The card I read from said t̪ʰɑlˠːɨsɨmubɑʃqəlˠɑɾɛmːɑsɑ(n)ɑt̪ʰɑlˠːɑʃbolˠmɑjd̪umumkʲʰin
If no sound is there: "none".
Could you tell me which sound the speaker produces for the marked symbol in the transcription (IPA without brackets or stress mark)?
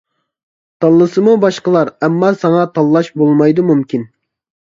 ŋ